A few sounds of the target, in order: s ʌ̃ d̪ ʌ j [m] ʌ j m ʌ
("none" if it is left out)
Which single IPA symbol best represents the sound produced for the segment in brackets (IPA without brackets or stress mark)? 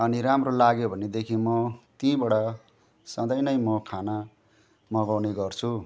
n